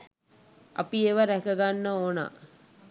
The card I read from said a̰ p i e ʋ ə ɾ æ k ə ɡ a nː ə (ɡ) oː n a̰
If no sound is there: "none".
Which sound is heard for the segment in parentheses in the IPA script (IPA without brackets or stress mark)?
none